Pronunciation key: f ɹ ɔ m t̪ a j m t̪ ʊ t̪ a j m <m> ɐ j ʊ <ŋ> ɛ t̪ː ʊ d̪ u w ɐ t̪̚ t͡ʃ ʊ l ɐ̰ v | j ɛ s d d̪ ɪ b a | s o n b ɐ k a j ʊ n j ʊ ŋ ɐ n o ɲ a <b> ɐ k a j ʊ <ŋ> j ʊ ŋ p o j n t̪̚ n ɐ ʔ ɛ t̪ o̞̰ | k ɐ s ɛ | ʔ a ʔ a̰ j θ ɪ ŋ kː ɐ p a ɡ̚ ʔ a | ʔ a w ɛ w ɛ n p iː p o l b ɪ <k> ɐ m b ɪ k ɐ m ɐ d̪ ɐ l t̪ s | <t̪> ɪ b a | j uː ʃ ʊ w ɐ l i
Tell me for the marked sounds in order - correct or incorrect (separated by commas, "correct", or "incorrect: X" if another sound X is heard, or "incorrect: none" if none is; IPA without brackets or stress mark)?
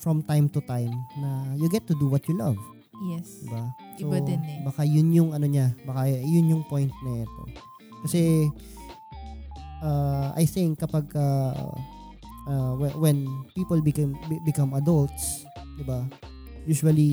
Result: incorrect: n, incorrect: ɡ, correct, incorrect: n, correct, incorrect: d̪